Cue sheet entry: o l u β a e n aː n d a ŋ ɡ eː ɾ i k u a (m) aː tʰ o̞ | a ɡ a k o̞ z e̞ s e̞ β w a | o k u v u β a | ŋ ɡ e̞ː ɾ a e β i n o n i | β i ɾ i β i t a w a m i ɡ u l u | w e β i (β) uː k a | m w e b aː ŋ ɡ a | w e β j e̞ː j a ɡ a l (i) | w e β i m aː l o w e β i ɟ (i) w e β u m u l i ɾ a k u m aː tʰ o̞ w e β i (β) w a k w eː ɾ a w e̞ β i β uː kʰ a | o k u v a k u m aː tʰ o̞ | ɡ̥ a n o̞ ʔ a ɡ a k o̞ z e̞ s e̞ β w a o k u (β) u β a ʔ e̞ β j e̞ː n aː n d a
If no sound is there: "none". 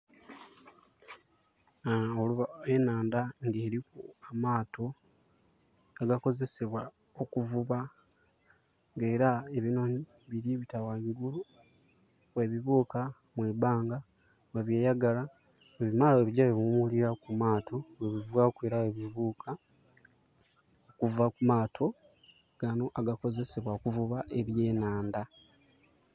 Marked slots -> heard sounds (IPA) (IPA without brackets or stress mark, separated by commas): m, β, a, a, v, v